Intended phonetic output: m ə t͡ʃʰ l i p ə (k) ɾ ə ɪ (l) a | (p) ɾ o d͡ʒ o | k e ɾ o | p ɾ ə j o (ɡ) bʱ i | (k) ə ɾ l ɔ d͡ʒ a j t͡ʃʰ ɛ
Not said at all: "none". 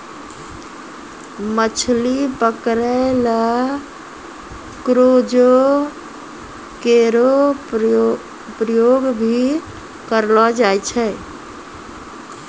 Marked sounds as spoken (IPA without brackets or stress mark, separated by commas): k, l, k, ɡ, k